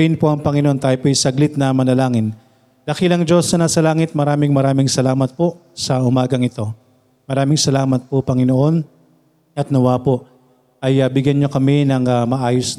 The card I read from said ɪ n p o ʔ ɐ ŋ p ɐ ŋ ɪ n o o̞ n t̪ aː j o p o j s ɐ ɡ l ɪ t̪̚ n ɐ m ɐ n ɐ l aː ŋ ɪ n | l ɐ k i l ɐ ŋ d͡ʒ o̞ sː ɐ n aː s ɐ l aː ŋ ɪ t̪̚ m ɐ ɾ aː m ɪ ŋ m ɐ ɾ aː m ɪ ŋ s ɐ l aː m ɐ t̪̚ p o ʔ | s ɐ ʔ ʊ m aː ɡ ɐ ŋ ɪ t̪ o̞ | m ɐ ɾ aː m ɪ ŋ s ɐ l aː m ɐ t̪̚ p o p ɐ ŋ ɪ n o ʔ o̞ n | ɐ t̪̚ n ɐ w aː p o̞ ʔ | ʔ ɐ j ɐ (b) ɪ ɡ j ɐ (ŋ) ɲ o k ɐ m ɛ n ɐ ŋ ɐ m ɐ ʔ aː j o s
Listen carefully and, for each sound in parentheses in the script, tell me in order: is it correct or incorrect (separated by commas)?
correct, incorrect